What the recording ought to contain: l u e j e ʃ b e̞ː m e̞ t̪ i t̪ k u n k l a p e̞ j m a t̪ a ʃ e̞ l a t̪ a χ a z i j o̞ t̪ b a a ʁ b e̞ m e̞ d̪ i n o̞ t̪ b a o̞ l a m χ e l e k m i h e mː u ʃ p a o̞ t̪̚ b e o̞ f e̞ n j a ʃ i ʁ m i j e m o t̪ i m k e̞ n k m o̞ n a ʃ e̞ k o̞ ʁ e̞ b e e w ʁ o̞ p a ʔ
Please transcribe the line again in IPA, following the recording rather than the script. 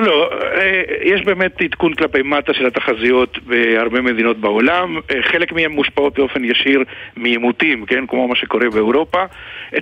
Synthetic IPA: l o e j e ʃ b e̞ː m e̞ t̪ i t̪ k u n k l a p e̞ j m a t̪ a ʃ e̞ l a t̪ a χ a z i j o̞ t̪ b e a ʁ b e̞ m e̞ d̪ i n o̞ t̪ b a o̞ l a m χ e l e k m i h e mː u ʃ p a o̞ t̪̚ b e o̞ f e̞ n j a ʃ i ʁ m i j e m u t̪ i m k e̞ n k m o̞ m a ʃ e̞ k o̞ ʁ e̞ b e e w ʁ o̞ p a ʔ